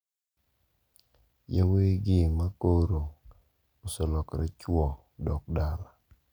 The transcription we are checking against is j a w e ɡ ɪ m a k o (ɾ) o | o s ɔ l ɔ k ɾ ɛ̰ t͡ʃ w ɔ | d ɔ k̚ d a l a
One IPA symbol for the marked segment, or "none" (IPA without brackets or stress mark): ɾ